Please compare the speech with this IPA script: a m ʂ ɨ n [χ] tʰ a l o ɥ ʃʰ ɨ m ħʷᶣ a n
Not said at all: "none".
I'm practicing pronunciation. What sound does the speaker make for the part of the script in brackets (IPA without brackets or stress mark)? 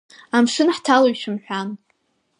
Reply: ħ